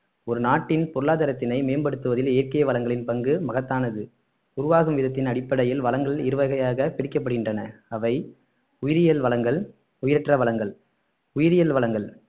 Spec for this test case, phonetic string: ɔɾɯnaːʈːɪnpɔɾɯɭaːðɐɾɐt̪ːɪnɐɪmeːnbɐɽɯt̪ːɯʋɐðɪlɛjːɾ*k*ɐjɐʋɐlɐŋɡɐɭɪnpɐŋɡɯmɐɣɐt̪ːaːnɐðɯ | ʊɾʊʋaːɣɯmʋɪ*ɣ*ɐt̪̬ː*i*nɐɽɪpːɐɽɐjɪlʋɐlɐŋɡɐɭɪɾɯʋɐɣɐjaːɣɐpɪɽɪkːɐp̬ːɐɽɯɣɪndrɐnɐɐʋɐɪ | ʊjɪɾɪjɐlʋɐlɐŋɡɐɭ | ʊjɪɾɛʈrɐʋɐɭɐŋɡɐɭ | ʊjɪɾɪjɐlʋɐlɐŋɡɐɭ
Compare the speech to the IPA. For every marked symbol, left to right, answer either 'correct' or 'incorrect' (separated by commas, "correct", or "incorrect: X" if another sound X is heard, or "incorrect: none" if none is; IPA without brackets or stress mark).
correct, incorrect: ð, incorrect: ɪ